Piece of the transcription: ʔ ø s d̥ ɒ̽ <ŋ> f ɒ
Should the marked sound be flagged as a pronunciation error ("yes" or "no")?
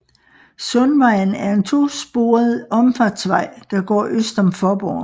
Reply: yes